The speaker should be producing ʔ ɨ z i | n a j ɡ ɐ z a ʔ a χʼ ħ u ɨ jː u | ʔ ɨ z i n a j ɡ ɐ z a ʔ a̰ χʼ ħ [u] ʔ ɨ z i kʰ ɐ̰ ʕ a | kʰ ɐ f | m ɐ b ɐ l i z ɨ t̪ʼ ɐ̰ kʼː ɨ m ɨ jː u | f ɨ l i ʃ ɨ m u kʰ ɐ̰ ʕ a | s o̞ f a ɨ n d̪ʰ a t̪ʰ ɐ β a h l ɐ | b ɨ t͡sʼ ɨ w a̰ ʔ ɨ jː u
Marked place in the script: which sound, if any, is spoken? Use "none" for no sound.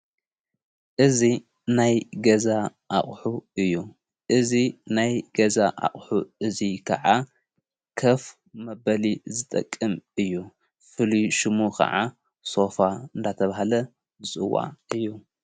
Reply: u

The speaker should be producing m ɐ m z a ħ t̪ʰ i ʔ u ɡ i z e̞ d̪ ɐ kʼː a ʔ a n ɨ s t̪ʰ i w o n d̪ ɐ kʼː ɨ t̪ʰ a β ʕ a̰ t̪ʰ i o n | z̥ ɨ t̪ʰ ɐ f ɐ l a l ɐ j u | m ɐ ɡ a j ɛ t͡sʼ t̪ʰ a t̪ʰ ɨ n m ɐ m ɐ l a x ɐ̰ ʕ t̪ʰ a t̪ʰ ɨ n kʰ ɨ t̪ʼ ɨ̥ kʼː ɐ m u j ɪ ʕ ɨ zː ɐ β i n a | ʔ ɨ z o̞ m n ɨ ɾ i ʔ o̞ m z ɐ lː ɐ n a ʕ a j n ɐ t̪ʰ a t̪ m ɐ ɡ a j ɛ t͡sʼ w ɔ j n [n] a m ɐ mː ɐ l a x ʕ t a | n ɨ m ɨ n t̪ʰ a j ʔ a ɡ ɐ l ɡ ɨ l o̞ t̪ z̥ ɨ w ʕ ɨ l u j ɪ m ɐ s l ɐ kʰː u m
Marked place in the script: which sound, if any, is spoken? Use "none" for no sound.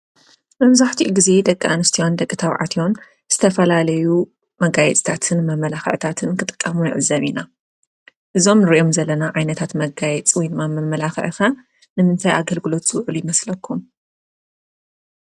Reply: m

